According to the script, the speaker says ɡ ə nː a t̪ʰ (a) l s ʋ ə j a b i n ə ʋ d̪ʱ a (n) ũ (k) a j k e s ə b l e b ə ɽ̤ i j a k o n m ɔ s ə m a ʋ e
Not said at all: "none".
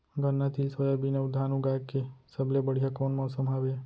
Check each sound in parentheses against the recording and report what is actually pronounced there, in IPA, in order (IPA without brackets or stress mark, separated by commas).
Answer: i, n, ɡ